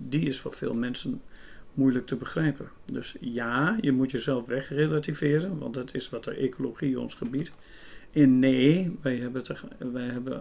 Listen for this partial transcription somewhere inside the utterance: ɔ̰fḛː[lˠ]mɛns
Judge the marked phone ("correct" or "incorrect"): correct